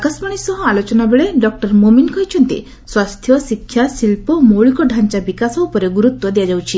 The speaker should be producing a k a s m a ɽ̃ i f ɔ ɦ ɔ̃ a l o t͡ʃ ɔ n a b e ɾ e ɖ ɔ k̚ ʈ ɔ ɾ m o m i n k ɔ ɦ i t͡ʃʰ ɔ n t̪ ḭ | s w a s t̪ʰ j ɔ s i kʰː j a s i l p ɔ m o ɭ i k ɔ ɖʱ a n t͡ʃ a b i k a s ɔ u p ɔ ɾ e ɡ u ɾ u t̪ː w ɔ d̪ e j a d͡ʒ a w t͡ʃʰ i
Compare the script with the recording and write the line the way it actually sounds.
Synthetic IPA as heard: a k a s m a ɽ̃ i s ɔ ɦ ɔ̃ a l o t͡ʃ ɔ n a b e ɭ e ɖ ɔ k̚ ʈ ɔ ɾ m o m i n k ɔ ɦ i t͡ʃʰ ɔ n t̪ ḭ | s w a s t̪ʰ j ɔ s i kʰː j a s i l p ɔ m o ɭ i k ɔ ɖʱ a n t͡ʃ a b i k a s ɔ u p ɔ ɾ e ɡ u ɾ u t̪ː w ɔ d̪ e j a d͡ʒ a w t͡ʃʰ i